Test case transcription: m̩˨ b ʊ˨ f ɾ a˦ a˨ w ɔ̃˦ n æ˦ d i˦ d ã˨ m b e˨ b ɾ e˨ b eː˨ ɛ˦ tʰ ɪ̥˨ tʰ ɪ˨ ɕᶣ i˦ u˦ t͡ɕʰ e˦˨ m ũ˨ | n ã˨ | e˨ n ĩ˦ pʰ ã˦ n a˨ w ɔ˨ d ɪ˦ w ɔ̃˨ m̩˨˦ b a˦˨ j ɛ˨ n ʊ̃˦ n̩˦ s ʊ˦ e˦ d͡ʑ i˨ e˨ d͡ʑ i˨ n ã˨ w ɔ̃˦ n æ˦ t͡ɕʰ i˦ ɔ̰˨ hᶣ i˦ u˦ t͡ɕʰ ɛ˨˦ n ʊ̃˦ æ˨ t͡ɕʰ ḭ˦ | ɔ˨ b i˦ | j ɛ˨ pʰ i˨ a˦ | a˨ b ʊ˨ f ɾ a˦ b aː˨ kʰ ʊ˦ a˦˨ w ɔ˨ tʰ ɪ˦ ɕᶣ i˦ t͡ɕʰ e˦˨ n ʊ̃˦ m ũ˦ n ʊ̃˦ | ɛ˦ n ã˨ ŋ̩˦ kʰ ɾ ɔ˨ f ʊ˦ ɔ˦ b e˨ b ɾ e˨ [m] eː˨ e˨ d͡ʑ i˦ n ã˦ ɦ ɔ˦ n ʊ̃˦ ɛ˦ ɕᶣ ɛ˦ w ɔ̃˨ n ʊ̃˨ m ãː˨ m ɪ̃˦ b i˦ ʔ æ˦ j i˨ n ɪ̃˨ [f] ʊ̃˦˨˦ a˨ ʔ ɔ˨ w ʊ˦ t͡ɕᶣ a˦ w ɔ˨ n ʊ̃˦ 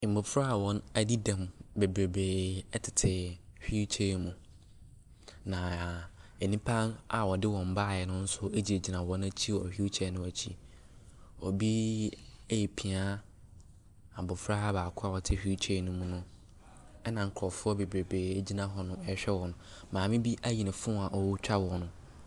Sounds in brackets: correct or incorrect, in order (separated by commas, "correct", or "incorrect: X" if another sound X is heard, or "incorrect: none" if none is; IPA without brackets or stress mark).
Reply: incorrect: b, correct